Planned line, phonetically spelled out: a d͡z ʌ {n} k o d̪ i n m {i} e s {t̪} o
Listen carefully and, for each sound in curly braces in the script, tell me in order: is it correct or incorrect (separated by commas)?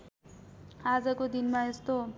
incorrect, incorrect, correct